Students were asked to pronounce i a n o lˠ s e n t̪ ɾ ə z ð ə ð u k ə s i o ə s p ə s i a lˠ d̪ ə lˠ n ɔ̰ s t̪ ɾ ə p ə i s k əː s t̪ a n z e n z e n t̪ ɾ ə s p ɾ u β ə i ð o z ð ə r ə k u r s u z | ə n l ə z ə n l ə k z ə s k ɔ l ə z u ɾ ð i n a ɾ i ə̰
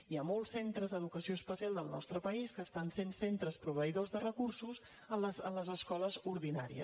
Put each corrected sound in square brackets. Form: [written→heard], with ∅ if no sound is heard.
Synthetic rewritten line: i a [n→m] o lˠ s e n t̪ ɾ ə z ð ə ð u k ə s i o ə s p ə s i a lˠ d̪ ə lˠ n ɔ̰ s t̪ ɾ ə p ə i s k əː s t̪ a n [z→s] e n [z→s] e n t̪ ɾ ə s p ɾ u β ə i ð o z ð ə r ə k u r s u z | ə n l ə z ə n l ə [k→∅] z ə s k ɔ l ə z u ɾ ð i n a ɾ i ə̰